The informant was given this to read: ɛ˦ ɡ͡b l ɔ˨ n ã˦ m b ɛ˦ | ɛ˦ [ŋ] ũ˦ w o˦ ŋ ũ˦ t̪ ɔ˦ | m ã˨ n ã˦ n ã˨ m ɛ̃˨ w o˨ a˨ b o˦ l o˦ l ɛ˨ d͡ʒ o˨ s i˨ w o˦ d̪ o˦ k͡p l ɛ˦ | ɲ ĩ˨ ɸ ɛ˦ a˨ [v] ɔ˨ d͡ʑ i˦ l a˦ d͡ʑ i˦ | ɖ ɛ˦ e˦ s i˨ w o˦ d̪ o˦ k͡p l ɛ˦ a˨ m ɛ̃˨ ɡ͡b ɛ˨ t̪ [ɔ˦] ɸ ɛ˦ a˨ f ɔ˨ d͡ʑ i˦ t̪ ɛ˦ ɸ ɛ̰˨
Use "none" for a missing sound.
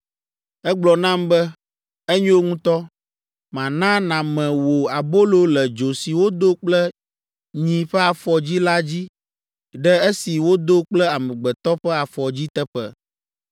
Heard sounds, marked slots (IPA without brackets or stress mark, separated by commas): ɲ, f, ɔ˦